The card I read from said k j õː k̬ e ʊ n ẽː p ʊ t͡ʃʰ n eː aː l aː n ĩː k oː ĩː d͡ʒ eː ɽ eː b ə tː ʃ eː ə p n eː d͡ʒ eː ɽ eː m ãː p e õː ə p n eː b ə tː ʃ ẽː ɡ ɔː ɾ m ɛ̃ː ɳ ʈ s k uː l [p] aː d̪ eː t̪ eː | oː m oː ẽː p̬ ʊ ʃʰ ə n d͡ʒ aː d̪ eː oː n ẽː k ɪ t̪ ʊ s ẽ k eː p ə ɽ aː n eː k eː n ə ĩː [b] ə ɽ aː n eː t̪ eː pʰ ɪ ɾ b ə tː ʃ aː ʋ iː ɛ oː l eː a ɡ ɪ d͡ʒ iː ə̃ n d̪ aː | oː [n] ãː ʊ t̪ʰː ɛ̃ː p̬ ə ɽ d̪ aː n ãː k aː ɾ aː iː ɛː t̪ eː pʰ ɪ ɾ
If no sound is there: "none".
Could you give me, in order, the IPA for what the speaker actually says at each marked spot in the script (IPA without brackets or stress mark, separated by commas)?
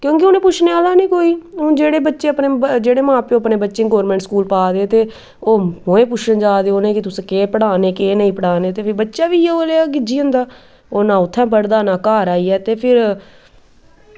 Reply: p, p, n